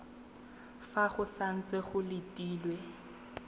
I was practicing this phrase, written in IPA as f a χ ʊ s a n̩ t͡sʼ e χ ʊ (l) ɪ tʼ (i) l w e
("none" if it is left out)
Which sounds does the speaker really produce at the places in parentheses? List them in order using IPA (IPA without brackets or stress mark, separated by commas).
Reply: l, iː